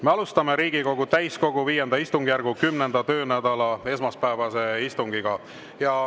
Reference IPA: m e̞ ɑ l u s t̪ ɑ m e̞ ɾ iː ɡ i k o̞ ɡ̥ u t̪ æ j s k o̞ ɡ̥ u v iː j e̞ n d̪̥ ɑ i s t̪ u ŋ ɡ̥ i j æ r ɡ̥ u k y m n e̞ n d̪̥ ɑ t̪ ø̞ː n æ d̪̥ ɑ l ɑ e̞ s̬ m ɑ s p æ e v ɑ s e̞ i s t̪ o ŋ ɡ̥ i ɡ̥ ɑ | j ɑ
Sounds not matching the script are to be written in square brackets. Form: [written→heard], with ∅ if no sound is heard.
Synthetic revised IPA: m e̞ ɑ l u s t̪ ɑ m e̞ ɾ iː ɡ i k o̞ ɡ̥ u t̪ æ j s k o̞ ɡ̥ u v iː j e̞ n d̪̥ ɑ i s t̪ u ŋ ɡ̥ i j æ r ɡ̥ u k y m n e̞ n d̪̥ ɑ t̪ ø̞ː n æ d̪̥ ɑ l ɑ e̞ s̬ m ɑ s p æ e v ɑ s e̞ i s t̪ [o→u] ŋ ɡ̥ i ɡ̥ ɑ | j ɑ